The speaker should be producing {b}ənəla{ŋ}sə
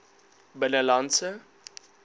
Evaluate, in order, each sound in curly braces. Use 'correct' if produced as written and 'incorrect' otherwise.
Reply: correct, incorrect

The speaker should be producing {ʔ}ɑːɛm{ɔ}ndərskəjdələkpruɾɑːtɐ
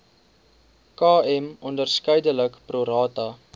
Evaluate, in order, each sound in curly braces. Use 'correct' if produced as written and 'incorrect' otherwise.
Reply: incorrect, correct

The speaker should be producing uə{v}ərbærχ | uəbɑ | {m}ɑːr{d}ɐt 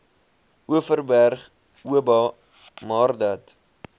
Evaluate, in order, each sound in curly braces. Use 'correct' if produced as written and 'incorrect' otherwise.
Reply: incorrect, correct, correct

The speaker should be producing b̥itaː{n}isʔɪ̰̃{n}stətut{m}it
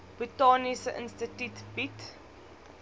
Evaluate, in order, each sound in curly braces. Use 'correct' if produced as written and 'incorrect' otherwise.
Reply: correct, correct, incorrect

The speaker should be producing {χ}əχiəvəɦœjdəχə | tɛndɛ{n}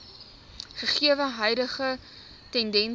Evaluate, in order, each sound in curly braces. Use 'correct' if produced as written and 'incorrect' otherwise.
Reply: correct, correct

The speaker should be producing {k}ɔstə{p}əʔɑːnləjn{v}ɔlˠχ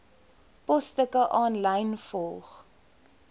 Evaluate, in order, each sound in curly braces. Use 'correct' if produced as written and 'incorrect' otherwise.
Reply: incorrect, incorrect, incorrect

